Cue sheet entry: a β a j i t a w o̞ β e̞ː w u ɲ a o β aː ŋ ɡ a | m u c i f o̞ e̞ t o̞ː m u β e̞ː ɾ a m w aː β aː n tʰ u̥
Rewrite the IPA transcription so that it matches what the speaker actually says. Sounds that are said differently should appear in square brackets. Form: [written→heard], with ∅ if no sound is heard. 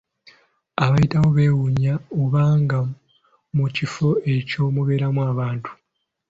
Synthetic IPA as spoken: a β a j i t a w o̞ β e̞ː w u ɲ a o β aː ŋ ɡ a | m u c i f o̞ e̞ [t→c] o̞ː m u β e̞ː ɾ a m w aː β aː n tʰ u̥